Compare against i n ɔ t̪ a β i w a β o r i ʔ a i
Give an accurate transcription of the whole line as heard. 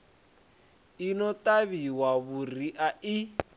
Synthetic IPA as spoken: i n ɔ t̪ a β i w a β u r i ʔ a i

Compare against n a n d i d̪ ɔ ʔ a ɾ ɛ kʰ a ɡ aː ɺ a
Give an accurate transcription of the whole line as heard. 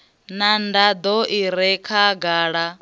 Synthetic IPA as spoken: n a n d a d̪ ɔ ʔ i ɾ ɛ kʰ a ɡ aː ɺ a

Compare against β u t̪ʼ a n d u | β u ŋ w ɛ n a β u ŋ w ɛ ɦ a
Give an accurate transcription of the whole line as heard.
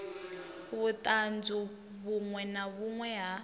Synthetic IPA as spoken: β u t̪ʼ a n d͡z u | β u ŋ w ɛ n a β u ŋ w ɛ ɦ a

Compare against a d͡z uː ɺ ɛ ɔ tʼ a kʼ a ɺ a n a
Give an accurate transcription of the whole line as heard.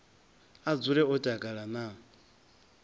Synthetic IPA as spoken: a d͡z u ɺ ɛ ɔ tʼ a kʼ a ɺ a n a

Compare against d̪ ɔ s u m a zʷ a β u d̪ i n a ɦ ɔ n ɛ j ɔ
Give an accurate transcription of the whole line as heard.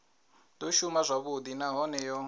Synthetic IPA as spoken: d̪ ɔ ʃ u m a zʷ a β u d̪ i n a ɦ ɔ n ɛ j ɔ

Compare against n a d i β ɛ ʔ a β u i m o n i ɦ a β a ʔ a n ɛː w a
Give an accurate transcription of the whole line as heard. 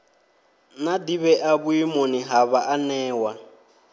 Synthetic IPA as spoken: n a d i β ɛ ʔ a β u i m o n i ɦ a β a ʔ a n ɛː w a

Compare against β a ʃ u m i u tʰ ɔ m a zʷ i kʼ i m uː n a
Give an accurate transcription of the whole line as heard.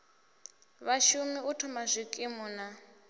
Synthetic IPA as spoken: β a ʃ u m i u tʰ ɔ m a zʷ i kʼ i m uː n a

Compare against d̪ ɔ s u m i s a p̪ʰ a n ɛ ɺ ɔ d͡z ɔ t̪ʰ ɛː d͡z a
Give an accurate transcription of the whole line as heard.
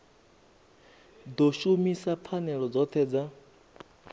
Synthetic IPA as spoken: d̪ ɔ ʃ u m i s a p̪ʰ a n ɛ ɺ ɔ d͡z ɔ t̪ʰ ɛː d͡z a

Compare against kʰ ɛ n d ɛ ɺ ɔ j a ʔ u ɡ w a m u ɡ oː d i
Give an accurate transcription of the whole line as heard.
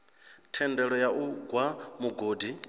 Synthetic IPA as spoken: tʰ ɛ n d ɛ ɺ ɔ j a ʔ u ɡ w a m u ɡ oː d i

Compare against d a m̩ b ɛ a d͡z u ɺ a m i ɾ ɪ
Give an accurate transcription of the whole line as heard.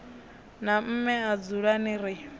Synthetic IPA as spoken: n a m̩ m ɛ a d͡z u ɺ a n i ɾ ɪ

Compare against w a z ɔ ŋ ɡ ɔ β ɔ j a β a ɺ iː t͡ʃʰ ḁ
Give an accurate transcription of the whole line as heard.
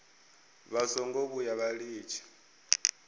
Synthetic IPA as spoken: β a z ɔ ŋ ɡ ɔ β u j a β a ɺ iː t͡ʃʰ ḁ

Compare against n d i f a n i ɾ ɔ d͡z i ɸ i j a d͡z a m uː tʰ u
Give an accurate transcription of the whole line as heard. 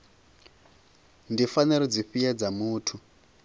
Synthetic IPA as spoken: n d i f a n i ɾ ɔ d͡z i ɸ i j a d͡z a m uː tʰ u

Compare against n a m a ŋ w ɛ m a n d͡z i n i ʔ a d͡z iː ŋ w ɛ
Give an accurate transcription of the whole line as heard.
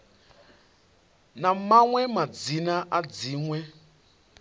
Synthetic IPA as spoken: n a m a ŋ w ɛ m a d͡z i n a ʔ a d͡z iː ŋ w ɛ

